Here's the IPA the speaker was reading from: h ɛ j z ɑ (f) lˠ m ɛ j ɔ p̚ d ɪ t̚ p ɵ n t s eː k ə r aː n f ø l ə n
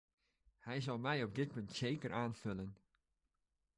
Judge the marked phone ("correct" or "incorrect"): incorrect